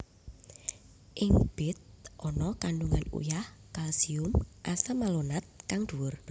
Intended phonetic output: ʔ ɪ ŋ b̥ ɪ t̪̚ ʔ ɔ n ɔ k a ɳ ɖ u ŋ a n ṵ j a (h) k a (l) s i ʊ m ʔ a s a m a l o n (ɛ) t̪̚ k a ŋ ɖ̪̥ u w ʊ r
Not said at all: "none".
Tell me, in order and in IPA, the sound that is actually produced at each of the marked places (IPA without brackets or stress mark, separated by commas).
h, l, a